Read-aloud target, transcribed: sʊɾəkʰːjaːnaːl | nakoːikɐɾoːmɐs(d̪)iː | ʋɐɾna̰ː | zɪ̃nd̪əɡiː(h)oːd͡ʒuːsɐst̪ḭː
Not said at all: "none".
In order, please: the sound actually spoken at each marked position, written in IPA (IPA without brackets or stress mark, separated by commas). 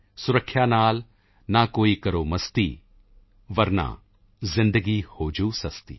t̪, h